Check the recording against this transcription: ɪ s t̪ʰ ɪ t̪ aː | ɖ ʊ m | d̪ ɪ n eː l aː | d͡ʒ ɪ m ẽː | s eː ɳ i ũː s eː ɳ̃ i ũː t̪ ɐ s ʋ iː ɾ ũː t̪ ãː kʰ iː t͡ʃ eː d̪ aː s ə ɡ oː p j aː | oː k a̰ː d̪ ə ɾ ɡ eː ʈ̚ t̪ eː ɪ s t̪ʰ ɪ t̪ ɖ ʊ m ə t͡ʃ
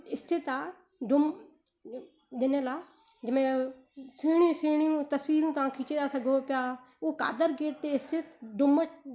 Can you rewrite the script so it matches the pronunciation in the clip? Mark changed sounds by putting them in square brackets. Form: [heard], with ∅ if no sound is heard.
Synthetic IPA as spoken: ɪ s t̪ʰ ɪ t̪ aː | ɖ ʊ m | d̪ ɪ n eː l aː | d͡ʒ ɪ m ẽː | s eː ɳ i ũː s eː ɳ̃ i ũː t̪ [ə] s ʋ iː ɾ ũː t̪ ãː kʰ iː t͡ʃ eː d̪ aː s ə ɡ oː p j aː | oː k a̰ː d̪ ə ɾ ɡ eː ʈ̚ t̪ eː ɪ s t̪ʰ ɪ t̪ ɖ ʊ m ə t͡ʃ